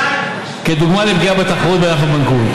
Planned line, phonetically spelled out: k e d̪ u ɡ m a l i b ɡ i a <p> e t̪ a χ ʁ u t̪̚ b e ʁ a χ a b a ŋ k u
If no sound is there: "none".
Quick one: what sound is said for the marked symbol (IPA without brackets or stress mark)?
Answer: b